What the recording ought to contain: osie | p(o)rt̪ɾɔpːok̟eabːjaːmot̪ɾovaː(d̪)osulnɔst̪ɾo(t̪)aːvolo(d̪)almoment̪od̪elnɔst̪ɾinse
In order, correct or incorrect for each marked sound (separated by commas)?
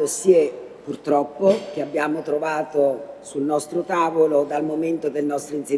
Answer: incorrect, incorrect, correct, correct